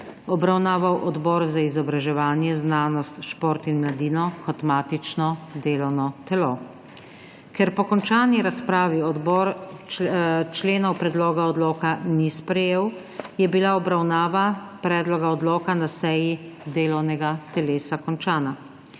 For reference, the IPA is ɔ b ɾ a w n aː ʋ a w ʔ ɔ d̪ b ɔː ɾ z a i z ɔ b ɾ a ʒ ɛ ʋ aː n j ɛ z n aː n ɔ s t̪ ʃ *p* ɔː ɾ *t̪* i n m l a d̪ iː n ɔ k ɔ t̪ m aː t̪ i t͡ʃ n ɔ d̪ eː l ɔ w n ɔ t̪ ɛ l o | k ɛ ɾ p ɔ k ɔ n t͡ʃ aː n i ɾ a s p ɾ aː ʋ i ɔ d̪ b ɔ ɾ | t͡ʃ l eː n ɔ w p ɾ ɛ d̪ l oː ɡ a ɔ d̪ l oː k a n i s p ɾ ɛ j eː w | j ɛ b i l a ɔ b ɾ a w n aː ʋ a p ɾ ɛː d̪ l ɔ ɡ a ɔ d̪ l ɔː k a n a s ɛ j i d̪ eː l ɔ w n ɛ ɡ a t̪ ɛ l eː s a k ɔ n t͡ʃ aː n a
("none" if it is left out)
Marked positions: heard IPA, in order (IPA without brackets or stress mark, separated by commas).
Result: p, t̪